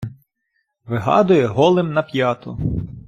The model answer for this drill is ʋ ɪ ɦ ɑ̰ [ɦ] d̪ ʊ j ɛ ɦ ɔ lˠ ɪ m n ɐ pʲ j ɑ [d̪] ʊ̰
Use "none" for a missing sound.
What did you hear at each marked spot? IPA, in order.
none, t̪

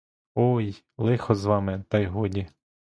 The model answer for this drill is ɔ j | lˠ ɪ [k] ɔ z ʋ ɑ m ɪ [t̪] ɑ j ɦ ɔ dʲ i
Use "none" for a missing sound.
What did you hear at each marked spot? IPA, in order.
x, t̪

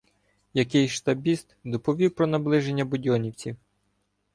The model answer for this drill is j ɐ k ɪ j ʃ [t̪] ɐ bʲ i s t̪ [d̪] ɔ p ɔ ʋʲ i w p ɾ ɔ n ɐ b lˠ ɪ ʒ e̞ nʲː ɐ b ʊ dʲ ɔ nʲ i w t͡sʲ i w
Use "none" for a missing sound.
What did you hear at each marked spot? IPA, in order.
t̪, d̪

